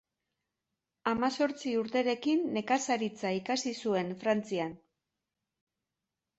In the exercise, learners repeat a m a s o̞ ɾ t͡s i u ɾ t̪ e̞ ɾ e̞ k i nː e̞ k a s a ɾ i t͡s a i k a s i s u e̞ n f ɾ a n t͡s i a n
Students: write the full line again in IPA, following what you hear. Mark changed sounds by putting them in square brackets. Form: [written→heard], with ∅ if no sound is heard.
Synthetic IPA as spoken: a m a s o̞ ɾ t͡s i u ɾ t̪ e̞ ɾ e̞ k i nː e̞ k a s a ɾ i t͡s a i k a s i s u e̞ n f ɾ a n t͡s i a n